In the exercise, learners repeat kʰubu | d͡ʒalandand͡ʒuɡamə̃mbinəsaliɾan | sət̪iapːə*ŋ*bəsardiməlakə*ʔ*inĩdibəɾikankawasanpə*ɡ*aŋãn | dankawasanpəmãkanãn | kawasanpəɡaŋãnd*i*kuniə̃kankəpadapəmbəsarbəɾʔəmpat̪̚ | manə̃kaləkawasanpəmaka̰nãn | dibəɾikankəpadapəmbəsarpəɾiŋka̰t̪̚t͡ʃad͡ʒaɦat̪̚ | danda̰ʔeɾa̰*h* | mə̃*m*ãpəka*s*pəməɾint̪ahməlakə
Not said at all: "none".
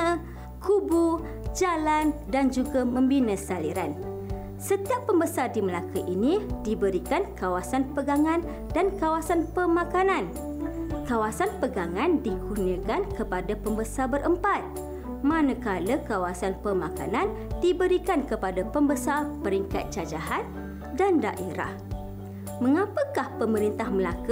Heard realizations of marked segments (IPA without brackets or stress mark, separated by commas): m, ʔ, ɡ, i, h, ŋ, h